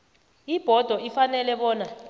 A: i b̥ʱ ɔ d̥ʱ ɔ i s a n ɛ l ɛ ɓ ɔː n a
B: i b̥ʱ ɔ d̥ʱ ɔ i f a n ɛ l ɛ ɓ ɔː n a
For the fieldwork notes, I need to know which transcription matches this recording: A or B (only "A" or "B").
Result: B